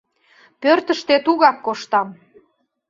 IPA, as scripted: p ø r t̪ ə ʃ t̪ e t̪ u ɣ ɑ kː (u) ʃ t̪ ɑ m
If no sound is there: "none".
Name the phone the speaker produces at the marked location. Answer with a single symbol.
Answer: o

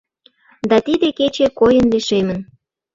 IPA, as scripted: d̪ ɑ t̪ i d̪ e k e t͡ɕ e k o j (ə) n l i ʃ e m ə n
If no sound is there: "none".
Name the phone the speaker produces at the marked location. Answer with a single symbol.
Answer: ə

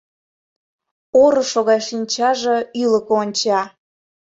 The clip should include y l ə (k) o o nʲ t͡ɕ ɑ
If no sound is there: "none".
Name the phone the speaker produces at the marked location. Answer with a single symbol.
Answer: k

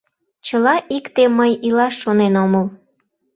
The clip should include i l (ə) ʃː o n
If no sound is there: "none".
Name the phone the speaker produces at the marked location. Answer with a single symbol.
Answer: ɑ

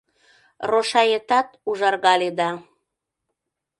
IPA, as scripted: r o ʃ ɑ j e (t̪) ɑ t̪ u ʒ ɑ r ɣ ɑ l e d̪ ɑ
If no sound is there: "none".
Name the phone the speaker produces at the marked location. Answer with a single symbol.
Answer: t̪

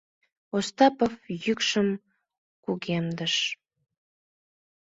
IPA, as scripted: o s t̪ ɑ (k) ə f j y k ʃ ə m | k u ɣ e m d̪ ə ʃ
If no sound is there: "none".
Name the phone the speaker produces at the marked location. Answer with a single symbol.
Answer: p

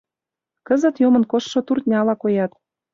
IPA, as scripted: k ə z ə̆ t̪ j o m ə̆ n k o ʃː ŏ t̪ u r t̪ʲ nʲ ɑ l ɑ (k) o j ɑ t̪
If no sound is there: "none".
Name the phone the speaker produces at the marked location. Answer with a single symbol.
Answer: k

